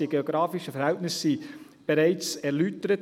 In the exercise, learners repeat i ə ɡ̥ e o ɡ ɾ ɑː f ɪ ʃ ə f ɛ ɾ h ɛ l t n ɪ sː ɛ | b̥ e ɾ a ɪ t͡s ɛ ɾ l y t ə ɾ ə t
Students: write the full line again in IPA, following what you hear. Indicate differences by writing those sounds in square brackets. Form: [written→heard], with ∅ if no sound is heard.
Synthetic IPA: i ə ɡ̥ e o ɡ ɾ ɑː f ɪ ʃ ə f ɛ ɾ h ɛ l t n ɪ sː [ɛ→i] | b̥ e ɾ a ɪ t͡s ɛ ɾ l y t ə ɾ ə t

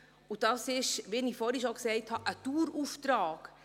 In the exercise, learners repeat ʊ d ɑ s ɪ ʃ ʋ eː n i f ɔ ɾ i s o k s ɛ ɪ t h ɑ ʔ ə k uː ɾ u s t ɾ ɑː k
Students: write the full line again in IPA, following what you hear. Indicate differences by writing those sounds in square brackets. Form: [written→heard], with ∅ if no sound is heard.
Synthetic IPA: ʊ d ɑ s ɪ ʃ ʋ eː n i f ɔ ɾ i [s→ʃ] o k s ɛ ɪ t h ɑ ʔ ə [k→t] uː ɾ u [s→f] t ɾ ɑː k

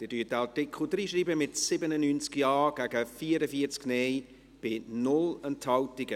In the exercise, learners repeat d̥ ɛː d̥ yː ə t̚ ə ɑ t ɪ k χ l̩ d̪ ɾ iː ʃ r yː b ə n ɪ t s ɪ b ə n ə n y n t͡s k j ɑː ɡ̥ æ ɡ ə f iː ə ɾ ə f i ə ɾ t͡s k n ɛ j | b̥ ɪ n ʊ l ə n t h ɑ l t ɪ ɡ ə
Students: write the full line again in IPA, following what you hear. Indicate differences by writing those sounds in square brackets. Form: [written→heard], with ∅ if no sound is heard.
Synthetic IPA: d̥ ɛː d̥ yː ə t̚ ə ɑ t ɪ k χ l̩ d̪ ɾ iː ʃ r [yː→iː] b ə [n→m] ɪ t s ɪ b ə n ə n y n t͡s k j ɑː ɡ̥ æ ɡ ə f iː ə ɾ ə f i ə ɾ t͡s k n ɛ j | b̥ ɪ n ʊ l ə n t h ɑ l t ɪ ɡ ə

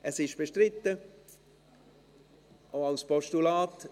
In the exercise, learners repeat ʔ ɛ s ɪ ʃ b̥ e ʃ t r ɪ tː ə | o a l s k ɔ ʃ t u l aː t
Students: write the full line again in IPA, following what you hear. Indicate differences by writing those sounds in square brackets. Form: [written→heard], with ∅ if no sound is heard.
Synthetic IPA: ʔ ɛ s ɪ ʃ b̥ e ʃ t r ɪ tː ə | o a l s [k→p] ɔ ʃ t u l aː t

